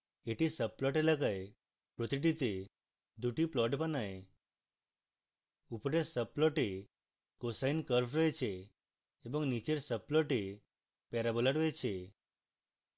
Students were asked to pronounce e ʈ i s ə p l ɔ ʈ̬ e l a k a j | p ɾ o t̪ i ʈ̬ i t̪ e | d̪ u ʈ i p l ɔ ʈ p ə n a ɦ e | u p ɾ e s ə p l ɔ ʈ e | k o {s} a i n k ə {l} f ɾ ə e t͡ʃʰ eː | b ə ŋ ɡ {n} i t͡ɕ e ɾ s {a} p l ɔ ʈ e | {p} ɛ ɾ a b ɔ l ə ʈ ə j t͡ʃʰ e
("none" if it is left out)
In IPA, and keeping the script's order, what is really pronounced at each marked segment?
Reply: s, ɾ, n, ə, p

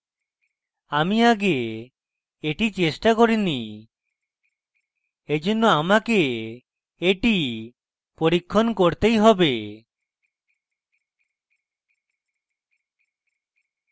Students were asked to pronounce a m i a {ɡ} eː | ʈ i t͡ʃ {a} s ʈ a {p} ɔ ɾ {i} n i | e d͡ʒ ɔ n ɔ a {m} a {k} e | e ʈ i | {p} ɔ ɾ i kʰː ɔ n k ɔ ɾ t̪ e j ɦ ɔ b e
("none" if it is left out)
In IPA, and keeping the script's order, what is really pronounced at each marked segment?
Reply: ɡ, e, k, i, m, k, p

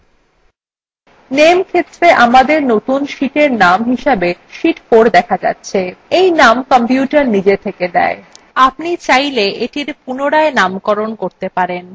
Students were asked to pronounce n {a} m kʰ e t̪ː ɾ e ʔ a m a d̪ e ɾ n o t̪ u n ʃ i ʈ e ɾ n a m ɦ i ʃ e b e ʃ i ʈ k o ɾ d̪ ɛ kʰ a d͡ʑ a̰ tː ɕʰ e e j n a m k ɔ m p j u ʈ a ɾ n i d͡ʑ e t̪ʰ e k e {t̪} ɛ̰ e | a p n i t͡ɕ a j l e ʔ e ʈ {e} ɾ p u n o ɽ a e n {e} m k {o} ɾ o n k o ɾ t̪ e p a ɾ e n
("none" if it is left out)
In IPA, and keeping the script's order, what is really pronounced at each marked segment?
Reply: e, d̪, i, a, ɔ

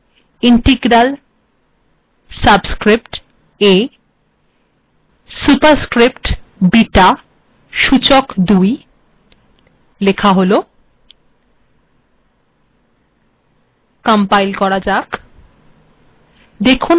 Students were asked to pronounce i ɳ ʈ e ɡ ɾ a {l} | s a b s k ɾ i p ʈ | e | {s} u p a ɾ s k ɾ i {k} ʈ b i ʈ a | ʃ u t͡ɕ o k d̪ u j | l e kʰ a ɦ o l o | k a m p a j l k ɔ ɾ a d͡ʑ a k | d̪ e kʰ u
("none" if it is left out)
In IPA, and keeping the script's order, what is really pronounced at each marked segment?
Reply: l, s, p

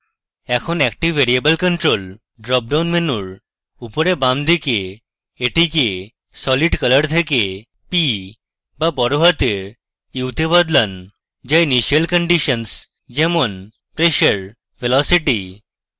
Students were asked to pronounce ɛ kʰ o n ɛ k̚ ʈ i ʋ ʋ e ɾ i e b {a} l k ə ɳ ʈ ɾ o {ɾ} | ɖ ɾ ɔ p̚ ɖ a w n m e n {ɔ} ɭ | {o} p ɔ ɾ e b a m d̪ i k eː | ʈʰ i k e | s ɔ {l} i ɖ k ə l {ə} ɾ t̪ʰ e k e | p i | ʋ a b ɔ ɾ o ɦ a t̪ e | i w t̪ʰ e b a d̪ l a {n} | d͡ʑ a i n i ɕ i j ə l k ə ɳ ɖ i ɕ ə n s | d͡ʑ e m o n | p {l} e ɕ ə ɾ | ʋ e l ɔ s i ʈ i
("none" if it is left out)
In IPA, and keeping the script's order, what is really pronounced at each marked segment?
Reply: ə, l, u, u, l, ə, n, ɾ

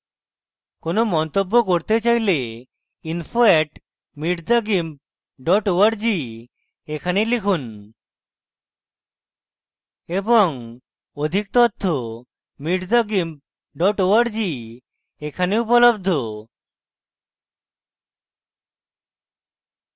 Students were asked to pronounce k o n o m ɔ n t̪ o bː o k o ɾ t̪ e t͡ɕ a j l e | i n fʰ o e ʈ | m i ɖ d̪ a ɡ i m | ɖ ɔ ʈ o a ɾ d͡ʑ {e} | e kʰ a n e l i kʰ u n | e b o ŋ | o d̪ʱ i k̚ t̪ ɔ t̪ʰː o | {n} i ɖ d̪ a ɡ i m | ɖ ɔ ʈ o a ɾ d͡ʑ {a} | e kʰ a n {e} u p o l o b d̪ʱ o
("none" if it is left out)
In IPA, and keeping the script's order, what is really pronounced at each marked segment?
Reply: i, m, i, e

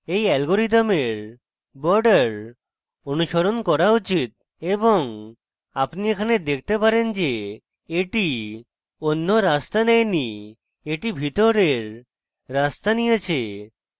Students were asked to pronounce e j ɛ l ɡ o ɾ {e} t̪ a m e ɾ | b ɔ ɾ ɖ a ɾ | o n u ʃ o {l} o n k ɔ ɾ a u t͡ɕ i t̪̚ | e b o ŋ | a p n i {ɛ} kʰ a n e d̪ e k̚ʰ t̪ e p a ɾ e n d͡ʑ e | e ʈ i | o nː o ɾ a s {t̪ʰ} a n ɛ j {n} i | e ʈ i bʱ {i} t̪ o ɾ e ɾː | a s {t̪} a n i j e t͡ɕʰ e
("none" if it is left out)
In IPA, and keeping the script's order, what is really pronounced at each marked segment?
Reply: i, ɾ, e, t̪, n, i, t̪

